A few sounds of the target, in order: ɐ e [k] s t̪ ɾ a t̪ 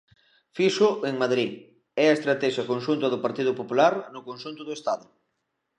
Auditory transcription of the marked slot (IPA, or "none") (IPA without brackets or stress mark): none